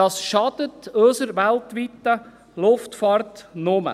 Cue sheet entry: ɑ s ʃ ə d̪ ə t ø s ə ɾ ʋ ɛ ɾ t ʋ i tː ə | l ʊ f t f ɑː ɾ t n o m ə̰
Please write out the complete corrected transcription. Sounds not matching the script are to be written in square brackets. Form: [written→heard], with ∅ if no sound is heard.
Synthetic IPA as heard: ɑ s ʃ [ə→ɑ] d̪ ə t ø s ə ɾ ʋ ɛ [ɾ→l] t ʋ i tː ə | l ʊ f t f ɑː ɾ t n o m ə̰